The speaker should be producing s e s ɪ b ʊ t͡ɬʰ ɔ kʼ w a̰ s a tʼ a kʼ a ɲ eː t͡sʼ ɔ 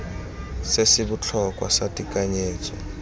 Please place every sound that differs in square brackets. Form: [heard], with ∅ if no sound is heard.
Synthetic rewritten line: s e s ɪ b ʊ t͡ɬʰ ɔ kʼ w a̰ s a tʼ [i] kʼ a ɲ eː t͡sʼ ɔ